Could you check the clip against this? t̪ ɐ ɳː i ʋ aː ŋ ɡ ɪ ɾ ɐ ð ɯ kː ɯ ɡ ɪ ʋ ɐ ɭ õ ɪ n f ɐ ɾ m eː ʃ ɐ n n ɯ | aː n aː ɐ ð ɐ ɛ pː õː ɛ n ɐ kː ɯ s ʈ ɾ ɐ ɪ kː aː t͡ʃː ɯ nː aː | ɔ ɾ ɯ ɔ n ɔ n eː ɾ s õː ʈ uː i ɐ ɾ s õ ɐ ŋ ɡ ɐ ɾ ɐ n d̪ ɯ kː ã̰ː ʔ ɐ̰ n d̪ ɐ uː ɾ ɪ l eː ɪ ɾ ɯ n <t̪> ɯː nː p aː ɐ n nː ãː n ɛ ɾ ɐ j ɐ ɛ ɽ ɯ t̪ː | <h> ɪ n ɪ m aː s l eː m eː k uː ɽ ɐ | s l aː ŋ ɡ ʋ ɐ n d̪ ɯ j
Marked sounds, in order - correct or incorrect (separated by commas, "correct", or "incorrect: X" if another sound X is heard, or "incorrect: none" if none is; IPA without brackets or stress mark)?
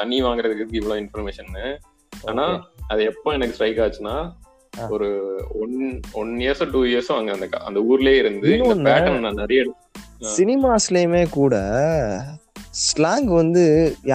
incorrect: d̪, incorrect: s